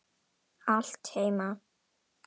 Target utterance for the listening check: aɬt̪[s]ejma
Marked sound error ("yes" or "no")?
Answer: yes